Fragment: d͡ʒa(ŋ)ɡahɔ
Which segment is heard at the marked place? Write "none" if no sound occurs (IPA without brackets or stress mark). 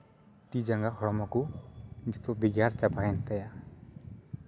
ŋ